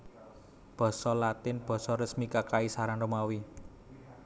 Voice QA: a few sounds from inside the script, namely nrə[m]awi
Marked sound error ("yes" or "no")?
no